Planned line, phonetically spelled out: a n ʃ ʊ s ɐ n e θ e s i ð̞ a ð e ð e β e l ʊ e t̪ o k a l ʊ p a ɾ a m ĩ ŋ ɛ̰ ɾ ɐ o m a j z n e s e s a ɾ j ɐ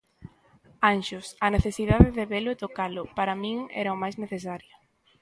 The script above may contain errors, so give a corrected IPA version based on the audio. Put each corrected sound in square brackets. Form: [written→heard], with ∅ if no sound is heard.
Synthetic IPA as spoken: a n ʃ ʊ s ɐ n e θ e s i ð̞ a ð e ð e β e l ʊ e t̪ o k a l ʊ p a ɾ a m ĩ ŋ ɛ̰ ɾ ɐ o m a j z n e [s→θ] e s a ɾ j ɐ